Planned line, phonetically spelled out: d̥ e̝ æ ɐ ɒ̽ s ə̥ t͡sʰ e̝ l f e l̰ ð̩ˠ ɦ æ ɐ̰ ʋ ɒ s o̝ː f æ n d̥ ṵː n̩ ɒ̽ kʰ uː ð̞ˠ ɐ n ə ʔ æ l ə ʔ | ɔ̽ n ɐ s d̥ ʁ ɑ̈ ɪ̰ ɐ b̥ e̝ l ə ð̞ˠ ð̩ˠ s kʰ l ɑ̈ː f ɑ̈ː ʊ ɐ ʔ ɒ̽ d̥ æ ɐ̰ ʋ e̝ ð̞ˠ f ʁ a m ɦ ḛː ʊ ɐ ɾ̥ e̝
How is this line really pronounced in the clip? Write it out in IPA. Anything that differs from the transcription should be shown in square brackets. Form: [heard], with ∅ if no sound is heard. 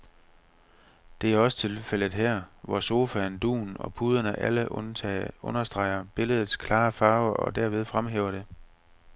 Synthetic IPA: d̥ e̝ æ ɐ ɒ̽ s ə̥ t͡sʰ e̝ l f e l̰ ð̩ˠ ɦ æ ɐ̰ ʋ ɒ s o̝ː f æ n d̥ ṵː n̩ ɒ̽ [pʰ] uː ð̞ˠ ɐ n ə ʔ æ l ə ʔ | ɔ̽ n ɐ s d̥ ʁ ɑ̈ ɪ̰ ɐ b̥ e̝ l ə ð̞ˠ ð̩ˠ s kʰ l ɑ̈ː f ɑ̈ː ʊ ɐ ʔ ɒ̽ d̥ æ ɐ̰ ʋ e̝ ð̞ˠ f ʁ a m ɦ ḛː ʊ ɐ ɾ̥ e̝

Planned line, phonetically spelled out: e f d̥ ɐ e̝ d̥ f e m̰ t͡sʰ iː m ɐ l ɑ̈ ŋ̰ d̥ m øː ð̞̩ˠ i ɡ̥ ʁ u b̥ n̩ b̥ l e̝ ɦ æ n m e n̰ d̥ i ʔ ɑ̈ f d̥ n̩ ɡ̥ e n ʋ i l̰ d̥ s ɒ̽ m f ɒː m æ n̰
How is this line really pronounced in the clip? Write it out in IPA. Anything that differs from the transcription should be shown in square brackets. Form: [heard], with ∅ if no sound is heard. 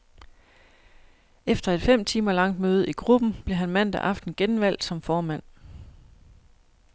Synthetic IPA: e f d̥ ɐ e̝ d̥ f e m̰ t͡sʰ iː m ɐ l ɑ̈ ŋ̰ d̥ m øː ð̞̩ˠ i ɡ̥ ʁ u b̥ n̩ b̥ l e̝ ɦ æ n m [æ] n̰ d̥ [æ] ʔ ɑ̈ f d̥ n̩ ɡ̥ e n ʋ [æ] l̰ d̥ s ɒ̽ m f ɒː m æ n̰

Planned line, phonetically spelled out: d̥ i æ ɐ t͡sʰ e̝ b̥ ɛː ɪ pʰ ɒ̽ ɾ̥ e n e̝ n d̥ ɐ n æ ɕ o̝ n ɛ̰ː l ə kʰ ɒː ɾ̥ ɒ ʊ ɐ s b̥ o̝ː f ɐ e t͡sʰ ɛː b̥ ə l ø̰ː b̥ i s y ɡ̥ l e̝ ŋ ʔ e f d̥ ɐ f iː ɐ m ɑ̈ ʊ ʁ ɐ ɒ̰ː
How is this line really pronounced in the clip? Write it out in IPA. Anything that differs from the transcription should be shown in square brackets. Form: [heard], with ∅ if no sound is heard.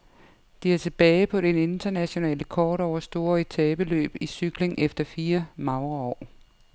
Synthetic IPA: d̥ i æ ɐ t͡sʰ e̝ b̥ ɛː ɪ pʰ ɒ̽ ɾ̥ e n e̝ n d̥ ɐ n æ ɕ o̝ n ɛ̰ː l ə kʰ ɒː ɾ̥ ɒ ʊ ɐ s [d̥] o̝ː [∅] ɐ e t͡sʰ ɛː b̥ ə l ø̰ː b̥ i s y ɡ̥ l e̝ ŋ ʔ e f d̥ ɐ f iː ɐ m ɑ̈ ʊ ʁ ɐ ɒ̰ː

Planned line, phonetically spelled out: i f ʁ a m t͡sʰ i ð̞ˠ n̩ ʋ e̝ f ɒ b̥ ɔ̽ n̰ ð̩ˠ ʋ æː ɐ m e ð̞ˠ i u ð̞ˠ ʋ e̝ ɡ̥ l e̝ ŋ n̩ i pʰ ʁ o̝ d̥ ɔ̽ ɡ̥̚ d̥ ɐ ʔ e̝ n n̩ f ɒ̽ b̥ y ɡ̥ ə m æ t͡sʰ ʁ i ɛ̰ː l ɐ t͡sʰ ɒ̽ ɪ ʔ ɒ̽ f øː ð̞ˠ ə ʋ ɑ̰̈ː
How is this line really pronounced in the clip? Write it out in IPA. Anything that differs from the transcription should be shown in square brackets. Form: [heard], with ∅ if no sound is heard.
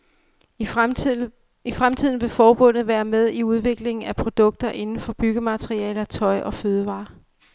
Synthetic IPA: i f ʁ a m t͡sʰ i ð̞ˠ n̩ ʋ e̝ f [ɒː] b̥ ɔ̽ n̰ ð̩ˠ ʋ æː ɐ m e ð̞ˠ i u ð̞ˠ ʋ e̝ ɡ̥ l e̝ ŋ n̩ [æ] pʰ ʁ o̝ d̥ ɔ̽ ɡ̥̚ d̥ ɐ ʔ e̝ n n̩ f ɒ̽ b̥ y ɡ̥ ə m æ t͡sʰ ʁ i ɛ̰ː l ɐ t͡sʰ ɒ̽ ɪ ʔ ɒ̽ f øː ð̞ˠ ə ʋ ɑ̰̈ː

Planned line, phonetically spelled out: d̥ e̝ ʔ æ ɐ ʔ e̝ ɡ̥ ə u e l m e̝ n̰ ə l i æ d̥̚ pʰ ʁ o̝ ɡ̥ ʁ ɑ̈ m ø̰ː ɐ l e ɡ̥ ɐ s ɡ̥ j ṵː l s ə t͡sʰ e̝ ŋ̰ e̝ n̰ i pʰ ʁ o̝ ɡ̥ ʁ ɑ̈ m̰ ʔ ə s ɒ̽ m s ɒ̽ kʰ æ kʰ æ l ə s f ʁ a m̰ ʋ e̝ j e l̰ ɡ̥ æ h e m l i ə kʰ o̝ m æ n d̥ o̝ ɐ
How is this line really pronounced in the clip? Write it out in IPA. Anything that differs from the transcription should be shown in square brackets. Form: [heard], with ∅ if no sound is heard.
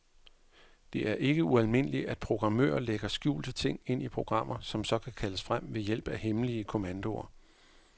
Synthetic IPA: d̥ e̝ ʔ æ ɐ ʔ e̝ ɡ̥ ə u [æ] l m e̝ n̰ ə l i æ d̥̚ pʰ ʁ o̝ ɡ̥ ʁ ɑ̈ m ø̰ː ɐ l e ɡ̥ ɐ s ɡ̥ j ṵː l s ə t͡sʰ e̝ ŋ̰ e̝ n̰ i pʰ ʁ o̝ ɡ̥ ʁ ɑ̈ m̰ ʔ [ɐ] s ɒ̽ m s ɒ̽ kʰ æ kʰ æ l ə s f ʁ a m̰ ʋ e̝ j e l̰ [b̥] æ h e m l i ə kʰ o̝ m æ n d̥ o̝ ɐ

